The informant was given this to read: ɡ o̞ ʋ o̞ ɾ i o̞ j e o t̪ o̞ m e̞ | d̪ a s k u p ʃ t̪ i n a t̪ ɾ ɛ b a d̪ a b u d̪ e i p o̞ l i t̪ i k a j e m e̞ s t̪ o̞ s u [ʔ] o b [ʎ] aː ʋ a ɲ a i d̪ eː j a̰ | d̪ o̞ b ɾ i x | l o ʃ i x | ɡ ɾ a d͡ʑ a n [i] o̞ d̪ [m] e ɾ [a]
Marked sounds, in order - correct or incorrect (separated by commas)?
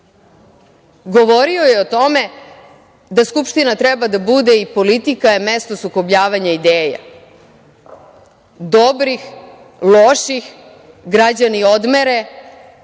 incorrect, correct, correct, correct, incorrect